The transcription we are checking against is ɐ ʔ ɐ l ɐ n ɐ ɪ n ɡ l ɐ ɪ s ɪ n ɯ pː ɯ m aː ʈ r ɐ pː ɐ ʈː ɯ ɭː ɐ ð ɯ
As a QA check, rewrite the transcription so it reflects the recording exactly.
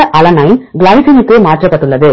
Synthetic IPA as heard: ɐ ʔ ɐ l ɐ n ɐ ɪ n ɡ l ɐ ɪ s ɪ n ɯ kː ɯ m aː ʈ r ɐ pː ɐ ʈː ɯ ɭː ɐ ð ɯ